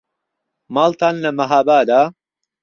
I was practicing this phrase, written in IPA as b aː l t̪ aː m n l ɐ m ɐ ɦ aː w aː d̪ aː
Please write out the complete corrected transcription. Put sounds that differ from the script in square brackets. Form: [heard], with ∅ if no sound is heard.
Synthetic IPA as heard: [m] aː l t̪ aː [∅] n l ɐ m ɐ ɦ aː [b] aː d̪ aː